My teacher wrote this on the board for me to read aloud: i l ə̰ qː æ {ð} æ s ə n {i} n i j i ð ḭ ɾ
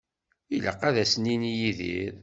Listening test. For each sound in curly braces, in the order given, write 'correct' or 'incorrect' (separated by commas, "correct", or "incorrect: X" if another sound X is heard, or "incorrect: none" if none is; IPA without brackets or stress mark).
correct, correct